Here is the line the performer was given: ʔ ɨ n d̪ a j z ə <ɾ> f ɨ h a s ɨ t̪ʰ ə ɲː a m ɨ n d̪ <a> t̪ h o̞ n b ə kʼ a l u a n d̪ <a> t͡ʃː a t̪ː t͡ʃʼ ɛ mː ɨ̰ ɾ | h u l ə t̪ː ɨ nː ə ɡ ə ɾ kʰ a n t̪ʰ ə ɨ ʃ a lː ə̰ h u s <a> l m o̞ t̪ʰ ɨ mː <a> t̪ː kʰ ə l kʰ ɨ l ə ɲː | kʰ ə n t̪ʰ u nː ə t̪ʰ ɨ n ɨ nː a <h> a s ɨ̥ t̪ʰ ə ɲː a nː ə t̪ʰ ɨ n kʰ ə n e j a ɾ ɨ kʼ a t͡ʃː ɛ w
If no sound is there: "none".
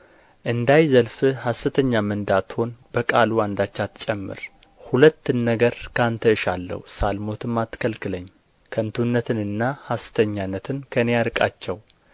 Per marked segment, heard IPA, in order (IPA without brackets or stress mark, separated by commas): l, a, a, a, a, h